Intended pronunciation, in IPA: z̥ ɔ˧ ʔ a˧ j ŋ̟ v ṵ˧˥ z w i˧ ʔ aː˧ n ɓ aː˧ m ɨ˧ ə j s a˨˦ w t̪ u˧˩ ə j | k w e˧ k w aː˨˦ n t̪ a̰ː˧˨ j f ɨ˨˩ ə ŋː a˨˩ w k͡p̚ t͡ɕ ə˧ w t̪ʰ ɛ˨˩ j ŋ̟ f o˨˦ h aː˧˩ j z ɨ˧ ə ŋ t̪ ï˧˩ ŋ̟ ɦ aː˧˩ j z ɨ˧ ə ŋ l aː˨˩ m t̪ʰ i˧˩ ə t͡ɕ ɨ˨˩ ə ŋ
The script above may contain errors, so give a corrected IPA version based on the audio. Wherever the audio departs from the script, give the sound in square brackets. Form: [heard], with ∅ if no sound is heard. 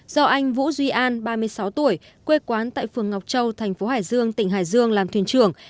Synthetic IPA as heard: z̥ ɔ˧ ʔ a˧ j ŋ̟ v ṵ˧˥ z w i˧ ʔ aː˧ n ɓ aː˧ m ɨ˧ ə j s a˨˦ w t̪ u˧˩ ə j | k w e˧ k w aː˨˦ n t̪ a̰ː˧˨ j f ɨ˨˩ ə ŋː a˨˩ w k͡p̚ t͡ɕ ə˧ w t̪ʰ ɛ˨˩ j ŋ̟ f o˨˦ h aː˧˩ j z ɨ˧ ə ŋ t̪ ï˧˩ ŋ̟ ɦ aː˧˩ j z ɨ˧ ə ŋ l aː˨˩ m t̪ʰ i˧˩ ə t͡ɕ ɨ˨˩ ə ŋ